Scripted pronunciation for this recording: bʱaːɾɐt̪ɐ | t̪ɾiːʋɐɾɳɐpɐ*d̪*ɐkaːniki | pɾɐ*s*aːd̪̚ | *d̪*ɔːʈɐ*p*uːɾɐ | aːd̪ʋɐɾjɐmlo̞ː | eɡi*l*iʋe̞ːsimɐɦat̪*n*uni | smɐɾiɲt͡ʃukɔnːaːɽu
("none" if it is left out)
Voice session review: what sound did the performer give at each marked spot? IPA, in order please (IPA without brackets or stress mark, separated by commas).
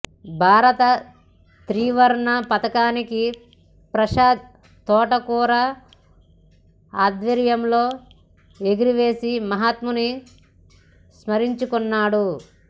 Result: t̪, ʃ, t̪, k, ɾ, m